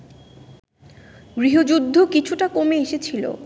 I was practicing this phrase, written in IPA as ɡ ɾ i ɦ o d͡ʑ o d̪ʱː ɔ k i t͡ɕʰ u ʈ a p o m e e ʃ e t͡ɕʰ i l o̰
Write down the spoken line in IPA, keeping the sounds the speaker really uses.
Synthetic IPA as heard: ɡ ɾ i ɦ o d͡ʑ u d̪ʱː o k i t͡ɕʰ u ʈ a k o m e e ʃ e t͡ɕʰ i l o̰